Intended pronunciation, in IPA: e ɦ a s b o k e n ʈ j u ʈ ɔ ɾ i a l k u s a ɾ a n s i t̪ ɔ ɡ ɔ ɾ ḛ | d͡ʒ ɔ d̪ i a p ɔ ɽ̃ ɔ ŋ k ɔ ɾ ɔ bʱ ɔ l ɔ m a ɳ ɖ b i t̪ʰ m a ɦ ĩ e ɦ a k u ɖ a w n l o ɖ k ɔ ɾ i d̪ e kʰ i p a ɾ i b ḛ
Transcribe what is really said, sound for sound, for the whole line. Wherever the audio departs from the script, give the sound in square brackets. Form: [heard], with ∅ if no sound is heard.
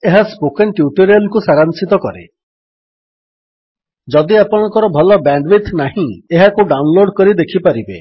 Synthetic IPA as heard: e ɦ a s [p] o k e n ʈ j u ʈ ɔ ɾ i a l k u s a ɾ a n s i t̪ ɔ [k] ɔ ɾ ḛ | d͡ʒ ɔ d̪ i a p ɔ ɽ̃ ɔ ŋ k ɔ ɾ ɔ bʱ ɔ l ɔ [b] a ɳ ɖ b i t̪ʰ [n] a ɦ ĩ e ɦ a k u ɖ a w n l o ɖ k ɔ ɾ i d̪ e kʰ i p a ɾ i b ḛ